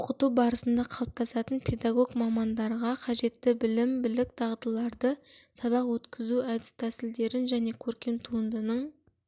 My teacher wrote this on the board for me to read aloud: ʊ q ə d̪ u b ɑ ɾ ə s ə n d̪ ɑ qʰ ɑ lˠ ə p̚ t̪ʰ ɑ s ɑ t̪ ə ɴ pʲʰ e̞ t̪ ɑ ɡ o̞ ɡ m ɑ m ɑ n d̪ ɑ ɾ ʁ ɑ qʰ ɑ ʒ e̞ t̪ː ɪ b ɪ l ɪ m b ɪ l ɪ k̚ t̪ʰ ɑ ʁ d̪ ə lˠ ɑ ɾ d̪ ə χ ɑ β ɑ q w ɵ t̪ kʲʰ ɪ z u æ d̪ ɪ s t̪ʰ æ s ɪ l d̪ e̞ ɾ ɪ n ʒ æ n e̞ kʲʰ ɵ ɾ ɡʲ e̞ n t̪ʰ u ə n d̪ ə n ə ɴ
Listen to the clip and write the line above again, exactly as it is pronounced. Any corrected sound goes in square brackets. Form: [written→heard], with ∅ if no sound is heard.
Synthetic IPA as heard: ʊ q ə [d̪→t̪] u b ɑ ɾ ə s ə n d̪ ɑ qʰ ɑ lˠ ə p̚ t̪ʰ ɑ s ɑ t̪ ə [ɴ→n] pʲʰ e̞ [t̪→d̪] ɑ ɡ o̞ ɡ m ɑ m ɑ n d̪ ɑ ɾ ʁ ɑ qʰ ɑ ʒ e̞ t̪ː ɪ b ɪ l ɪ m b ɪ l ɪ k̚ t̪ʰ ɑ ʁ d̪ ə lˠ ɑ ɾ d̪ ə [χ→s] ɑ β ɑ q w ɵ t̪ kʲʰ ɪ z u æ d̪ ɪ s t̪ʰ æ s ɪ l d̪ e̞ ɾ ɪ n ʒ æ n e̞ kʲʰ ɵ ɾ [ɡʲ→kʲ] e̞ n t̪ʰ u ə n d̪ ə n ə ɴ